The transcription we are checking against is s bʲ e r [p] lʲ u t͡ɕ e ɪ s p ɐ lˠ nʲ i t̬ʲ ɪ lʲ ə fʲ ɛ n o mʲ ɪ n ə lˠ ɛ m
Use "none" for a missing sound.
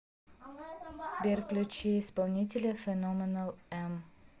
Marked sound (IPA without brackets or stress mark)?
k